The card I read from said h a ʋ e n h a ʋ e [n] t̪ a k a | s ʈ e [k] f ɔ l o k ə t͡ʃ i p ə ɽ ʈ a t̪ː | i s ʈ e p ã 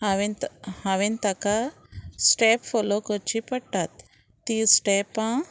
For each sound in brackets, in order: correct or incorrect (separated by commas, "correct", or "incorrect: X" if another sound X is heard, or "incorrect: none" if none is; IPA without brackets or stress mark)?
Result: correct, incorrect: p